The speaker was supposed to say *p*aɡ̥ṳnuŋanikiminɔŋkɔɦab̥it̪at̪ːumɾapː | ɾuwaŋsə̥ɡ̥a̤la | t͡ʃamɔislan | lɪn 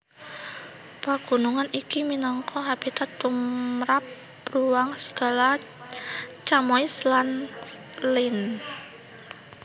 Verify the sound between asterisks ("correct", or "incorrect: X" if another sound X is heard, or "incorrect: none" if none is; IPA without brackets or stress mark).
correct